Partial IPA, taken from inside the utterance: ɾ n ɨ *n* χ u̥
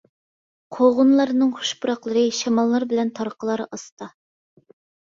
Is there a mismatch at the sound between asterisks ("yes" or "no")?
yes